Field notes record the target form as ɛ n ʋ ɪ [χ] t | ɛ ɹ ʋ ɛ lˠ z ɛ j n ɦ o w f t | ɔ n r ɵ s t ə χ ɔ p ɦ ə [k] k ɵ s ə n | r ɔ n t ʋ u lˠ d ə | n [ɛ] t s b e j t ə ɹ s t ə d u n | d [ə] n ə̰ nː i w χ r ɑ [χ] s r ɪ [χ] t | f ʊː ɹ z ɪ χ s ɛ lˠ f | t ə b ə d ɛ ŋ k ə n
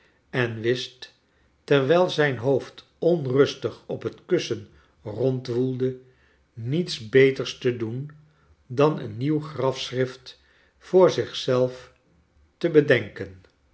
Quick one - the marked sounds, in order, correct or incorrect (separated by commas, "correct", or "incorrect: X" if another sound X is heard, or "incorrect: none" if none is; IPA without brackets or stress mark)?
incorrect: s, incorrect: t, incorrect: i, incorrect: ɑ, incorrect: f, incorrect: f